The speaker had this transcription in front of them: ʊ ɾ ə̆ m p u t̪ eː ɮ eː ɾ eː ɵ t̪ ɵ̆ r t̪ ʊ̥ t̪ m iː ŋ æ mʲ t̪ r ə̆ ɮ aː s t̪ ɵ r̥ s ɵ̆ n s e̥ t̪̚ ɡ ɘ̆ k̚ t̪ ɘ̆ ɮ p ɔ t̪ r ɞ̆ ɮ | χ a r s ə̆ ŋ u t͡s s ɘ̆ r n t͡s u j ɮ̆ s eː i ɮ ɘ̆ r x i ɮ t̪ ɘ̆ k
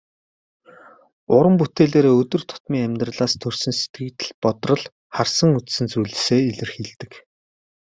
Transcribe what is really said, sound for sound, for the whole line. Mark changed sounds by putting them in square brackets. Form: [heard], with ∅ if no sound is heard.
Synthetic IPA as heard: ʊ ɾ ə̆ m p u t̪ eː ɮ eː ɾ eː ɵ t̪ ɵ̆ r [t̪ʰ] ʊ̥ t̪ m iː ŋ æ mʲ t̪ r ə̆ ɮ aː s [t̪ʰ] ɵ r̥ s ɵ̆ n s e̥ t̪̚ ɡ ɘ̆ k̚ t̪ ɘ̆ ɮ p ɔ t̪ r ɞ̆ ɮ | χ a r s ə̆ ŋ u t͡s s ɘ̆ [∅] n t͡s u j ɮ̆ s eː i ɮ ɘ̆ r x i ɮ t̪ ɘ̆ k